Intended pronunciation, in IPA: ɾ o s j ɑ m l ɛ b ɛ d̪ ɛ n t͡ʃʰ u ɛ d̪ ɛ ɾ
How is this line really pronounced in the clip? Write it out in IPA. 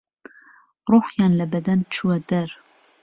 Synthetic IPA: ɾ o ħ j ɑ n l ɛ b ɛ d̪ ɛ n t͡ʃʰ u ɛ d̪ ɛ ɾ